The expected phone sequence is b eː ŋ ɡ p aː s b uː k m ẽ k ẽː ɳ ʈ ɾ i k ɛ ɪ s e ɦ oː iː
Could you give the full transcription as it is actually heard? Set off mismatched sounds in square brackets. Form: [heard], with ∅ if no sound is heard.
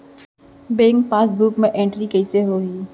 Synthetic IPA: b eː ŋ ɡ p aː s b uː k m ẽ [ʔ] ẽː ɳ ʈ ɾ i k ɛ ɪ s e ɦ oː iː